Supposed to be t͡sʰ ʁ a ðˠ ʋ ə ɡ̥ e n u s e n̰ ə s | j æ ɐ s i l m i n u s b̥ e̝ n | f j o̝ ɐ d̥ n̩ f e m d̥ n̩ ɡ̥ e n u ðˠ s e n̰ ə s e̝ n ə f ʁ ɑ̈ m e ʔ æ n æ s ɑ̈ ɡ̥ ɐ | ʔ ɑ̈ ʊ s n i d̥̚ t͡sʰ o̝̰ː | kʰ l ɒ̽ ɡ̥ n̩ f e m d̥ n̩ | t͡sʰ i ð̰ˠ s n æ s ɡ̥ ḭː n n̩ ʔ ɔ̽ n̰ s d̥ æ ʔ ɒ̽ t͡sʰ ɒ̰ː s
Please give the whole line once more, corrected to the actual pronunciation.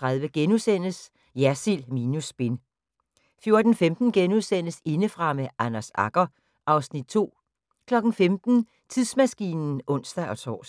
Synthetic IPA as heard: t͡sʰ ʁ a ðˠ ʋ ə ɡ̥ e n u s e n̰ ə s | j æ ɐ s i l m i n u s b̥ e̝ n | f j o̝ ɐ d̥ n̩ f e m d̥ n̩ ɡ̥ e n u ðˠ s e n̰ ə s e̝ n ə f ʁ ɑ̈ m e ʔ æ n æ s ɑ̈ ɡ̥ ɐ | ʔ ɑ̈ ʊ s n i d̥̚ t͡sʰ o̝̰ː | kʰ l ɒ̽ ɡ̥ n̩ f e m d̥ n̩ | t͡sʰ i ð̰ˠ s m æ s ɡ̥ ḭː n n̩ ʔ ɔ̽ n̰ s d̥ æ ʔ ɒ̽ t͡sʰ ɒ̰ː s